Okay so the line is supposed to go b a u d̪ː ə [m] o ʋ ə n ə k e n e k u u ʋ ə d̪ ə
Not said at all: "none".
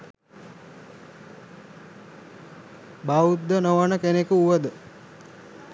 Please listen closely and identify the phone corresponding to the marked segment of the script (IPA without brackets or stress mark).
n